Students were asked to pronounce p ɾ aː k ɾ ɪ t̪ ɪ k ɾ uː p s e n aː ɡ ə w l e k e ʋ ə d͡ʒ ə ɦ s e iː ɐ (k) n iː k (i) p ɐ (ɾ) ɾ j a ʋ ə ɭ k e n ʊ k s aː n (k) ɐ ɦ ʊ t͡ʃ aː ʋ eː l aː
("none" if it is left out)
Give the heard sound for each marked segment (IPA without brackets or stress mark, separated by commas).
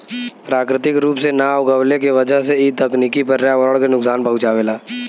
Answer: k, i, ɾ, p